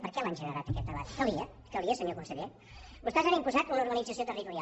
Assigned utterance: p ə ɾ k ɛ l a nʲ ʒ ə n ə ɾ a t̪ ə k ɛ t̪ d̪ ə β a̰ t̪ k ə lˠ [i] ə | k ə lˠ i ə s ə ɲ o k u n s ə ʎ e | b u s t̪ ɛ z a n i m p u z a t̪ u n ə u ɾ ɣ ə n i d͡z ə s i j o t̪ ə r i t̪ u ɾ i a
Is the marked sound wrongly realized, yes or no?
no